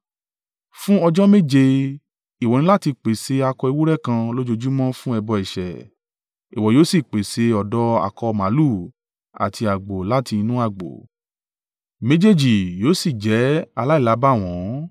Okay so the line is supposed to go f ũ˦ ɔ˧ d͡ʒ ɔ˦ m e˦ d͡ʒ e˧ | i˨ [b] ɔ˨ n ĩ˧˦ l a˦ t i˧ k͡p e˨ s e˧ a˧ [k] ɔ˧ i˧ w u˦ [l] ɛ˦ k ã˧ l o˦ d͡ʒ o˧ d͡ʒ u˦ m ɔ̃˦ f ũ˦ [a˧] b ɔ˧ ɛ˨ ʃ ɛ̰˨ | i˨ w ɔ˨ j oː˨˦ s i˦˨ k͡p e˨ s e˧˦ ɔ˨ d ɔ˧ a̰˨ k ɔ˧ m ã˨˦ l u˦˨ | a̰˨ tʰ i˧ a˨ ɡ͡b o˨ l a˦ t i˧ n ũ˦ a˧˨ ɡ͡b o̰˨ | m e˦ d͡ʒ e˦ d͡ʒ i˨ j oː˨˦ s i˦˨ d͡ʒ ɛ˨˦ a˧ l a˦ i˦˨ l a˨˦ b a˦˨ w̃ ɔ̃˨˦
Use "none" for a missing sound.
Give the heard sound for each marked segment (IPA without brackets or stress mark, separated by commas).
w, k, ɾ, ɛ˧